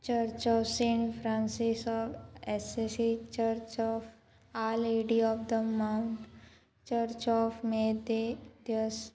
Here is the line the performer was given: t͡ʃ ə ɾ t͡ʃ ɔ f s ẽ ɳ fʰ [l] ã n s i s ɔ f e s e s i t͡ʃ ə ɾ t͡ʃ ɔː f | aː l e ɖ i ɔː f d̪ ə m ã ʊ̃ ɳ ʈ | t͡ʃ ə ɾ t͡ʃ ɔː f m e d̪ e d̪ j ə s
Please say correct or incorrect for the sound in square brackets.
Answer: incorrect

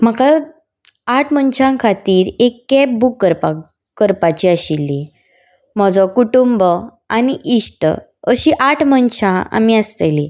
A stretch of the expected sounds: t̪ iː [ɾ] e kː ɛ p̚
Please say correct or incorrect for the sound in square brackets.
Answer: correct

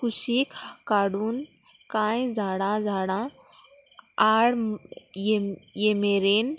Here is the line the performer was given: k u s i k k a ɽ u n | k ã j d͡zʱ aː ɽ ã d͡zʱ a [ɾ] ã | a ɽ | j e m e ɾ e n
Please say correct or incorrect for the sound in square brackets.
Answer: incorrect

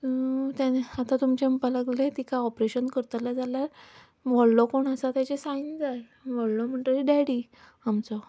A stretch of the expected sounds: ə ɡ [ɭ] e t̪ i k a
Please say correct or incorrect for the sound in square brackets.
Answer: incorrect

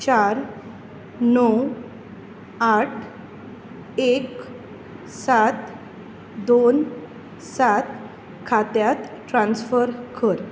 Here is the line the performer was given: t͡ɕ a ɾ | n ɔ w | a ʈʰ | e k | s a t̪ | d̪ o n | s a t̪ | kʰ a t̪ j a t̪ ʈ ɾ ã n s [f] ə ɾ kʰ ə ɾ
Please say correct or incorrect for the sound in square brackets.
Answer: correct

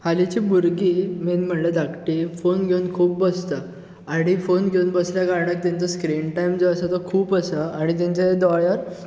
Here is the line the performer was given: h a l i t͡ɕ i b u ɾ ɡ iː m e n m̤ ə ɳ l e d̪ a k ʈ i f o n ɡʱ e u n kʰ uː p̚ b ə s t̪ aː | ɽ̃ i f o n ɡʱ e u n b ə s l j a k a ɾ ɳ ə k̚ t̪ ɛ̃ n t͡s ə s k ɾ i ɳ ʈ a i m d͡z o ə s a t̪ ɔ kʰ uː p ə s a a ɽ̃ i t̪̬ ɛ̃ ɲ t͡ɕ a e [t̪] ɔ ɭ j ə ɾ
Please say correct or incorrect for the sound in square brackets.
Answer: incorrect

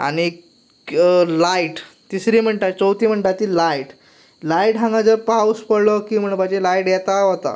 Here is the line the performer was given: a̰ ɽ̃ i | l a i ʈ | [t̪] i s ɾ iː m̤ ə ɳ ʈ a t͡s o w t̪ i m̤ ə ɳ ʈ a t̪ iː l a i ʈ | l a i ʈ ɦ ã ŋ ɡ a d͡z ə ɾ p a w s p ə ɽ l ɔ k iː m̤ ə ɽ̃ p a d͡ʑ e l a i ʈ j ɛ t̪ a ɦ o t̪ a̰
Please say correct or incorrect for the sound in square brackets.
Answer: correct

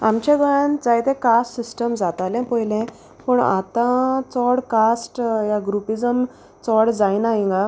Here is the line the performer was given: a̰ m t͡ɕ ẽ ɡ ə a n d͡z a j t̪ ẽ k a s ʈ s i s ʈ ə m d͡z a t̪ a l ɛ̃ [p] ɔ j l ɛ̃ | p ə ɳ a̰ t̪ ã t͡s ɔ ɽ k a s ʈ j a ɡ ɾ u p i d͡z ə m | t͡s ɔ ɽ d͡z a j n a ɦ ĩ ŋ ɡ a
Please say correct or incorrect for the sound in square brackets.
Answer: correct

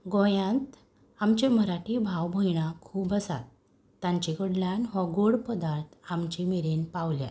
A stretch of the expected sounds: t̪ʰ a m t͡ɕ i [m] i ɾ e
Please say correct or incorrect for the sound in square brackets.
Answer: correct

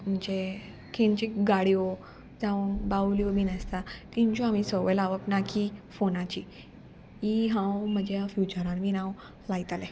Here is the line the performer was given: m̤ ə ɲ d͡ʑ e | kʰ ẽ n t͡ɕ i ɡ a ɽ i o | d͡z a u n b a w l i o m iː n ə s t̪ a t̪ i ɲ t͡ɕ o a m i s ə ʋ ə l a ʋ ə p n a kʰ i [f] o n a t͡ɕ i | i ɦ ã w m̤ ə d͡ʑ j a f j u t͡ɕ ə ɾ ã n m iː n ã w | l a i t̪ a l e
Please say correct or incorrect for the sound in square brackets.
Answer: correct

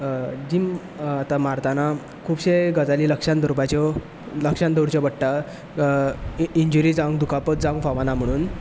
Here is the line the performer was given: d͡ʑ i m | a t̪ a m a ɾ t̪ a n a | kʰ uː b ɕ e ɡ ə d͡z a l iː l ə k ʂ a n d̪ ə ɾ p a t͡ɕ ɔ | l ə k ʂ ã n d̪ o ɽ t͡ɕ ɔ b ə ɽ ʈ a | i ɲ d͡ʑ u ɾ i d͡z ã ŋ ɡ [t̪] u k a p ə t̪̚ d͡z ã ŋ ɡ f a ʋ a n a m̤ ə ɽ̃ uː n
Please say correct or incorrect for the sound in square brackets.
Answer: incorrect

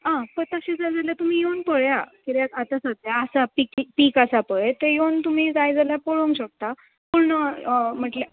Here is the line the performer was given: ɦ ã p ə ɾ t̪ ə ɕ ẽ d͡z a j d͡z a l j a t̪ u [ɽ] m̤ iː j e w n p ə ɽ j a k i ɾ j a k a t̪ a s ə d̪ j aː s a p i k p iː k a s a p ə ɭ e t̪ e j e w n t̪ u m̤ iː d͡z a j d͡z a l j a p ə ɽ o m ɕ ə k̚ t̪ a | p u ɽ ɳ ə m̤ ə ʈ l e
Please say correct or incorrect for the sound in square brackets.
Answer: incorrect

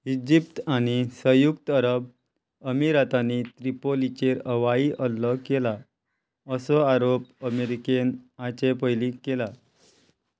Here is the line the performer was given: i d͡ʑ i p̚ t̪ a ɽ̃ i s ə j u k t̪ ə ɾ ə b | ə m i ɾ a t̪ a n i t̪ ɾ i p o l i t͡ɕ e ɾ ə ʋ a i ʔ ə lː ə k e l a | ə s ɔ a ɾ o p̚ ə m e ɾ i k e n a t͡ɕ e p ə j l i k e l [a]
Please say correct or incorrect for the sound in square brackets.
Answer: correct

